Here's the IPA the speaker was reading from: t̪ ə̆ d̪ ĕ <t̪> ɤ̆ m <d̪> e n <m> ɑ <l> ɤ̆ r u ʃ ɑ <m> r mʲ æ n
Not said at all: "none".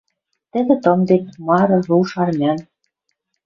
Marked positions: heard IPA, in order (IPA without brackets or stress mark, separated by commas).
t̪, d̪, m, ɾ, none